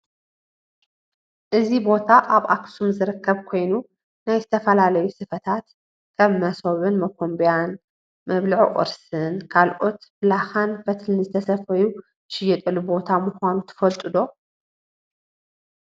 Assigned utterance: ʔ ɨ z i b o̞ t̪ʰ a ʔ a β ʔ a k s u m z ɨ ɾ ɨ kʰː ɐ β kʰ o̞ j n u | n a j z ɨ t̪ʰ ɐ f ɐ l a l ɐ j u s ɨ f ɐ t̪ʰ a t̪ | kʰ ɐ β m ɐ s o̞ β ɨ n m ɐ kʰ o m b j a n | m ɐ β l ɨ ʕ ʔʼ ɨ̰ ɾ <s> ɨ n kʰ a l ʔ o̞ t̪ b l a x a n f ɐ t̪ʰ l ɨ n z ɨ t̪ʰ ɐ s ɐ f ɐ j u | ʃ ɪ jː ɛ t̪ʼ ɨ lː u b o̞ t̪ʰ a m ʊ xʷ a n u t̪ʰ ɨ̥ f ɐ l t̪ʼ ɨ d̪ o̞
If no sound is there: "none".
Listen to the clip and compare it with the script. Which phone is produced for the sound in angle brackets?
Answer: s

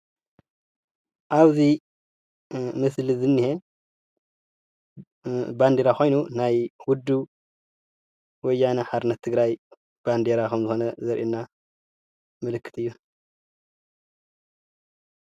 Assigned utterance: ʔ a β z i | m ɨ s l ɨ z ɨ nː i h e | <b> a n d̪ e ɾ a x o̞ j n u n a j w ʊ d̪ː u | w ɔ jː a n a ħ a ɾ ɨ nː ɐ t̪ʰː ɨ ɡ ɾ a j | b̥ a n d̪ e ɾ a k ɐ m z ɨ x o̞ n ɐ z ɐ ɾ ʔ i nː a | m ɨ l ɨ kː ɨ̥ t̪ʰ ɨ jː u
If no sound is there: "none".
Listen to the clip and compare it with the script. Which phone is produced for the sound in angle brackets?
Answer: b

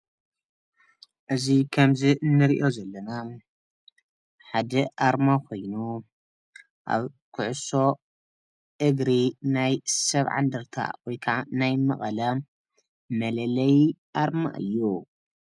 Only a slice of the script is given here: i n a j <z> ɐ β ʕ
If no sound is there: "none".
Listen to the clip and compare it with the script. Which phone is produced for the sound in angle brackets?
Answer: s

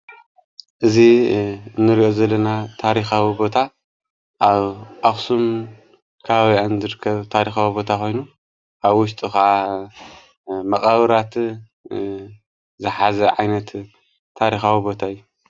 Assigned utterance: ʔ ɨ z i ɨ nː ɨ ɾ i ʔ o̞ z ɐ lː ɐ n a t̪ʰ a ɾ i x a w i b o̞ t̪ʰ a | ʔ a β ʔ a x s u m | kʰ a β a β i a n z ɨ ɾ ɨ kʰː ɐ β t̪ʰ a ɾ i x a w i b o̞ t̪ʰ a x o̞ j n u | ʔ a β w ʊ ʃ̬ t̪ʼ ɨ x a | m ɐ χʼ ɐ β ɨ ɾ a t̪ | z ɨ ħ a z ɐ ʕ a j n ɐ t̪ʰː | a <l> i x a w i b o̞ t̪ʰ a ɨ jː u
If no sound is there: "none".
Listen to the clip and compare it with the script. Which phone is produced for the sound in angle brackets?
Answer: ɾ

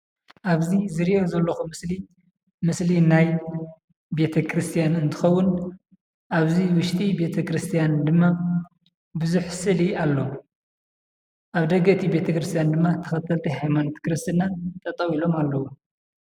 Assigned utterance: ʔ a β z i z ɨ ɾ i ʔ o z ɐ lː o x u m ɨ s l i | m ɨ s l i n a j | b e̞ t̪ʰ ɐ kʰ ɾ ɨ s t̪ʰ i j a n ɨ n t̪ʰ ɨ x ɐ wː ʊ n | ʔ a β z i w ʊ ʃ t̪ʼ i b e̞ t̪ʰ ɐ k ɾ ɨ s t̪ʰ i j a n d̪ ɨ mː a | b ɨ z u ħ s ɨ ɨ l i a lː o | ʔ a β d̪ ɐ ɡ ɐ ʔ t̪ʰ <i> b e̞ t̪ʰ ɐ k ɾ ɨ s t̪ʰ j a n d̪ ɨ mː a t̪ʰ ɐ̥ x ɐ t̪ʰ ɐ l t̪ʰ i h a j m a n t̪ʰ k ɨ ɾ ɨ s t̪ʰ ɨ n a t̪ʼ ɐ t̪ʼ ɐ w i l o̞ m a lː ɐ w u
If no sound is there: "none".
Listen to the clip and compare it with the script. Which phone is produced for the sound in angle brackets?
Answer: i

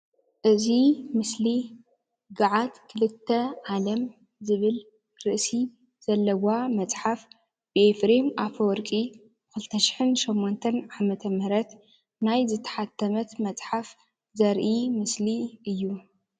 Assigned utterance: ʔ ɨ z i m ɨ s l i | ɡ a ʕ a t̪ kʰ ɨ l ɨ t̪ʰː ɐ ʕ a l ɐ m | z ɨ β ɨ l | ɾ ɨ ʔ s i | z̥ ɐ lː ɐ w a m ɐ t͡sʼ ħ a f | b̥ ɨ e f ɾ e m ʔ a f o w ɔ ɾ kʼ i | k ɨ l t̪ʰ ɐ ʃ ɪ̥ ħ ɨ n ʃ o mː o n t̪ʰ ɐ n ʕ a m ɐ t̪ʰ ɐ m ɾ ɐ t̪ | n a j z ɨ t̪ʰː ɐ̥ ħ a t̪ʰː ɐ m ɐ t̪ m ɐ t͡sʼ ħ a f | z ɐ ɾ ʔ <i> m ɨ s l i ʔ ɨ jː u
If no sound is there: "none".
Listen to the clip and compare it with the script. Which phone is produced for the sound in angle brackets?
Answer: i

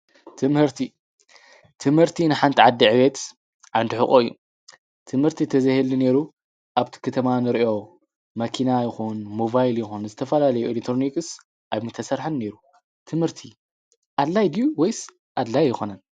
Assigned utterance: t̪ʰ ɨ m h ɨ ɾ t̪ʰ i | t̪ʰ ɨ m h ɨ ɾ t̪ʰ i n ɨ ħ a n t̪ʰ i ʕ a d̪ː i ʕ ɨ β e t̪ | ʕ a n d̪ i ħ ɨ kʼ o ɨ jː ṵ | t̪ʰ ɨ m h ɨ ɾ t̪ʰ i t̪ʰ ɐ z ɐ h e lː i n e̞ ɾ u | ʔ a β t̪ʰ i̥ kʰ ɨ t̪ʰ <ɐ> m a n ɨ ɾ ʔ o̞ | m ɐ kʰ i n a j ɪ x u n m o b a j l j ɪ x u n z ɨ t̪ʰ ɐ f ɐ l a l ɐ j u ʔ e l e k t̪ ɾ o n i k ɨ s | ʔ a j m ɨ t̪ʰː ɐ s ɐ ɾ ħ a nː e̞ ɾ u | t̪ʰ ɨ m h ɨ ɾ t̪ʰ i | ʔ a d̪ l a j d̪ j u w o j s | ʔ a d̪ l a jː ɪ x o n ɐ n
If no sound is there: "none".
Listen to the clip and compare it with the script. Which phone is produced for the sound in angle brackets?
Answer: ɐ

